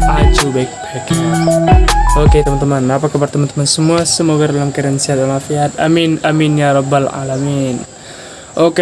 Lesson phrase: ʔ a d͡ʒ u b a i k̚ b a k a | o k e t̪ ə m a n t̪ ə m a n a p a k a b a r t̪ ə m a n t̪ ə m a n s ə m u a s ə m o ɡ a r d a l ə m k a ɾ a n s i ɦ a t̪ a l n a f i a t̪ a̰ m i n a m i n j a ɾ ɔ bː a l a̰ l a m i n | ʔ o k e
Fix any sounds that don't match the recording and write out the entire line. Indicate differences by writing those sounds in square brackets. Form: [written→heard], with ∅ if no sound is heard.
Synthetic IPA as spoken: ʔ a d͡ʒ u b a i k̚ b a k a | o k e t̪ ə m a n t̪ ə m a n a p a k a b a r t̪ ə m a n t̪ ə m a n s ə m u a s ə m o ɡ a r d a l [ə→a] m k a ɾ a n s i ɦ a t̪ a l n a f i a t̪ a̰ m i n a m i n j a ɾ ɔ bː a l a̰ l a m i n | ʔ o k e